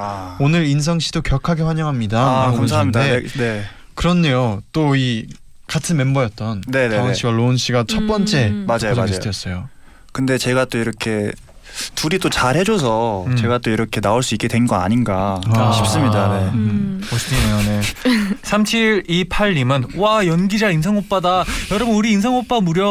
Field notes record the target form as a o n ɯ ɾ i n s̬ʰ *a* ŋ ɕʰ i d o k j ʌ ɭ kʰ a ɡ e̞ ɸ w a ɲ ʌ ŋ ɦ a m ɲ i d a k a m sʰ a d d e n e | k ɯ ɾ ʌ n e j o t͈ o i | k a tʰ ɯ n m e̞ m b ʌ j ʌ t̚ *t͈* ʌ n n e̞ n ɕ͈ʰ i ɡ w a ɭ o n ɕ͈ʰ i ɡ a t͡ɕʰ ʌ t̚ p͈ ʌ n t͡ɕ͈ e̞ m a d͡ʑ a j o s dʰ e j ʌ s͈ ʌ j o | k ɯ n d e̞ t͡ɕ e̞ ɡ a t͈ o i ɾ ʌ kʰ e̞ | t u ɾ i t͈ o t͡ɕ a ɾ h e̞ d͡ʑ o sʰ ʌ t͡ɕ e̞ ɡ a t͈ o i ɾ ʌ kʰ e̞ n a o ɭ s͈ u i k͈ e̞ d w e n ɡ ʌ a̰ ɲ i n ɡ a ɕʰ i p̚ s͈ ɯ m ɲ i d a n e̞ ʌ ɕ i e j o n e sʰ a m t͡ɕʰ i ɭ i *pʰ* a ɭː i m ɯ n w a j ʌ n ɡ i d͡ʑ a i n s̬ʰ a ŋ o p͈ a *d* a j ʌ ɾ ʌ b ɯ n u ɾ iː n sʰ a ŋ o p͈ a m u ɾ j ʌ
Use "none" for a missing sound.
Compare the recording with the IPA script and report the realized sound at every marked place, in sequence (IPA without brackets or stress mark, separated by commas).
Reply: ʌ, t͈, pʰ, d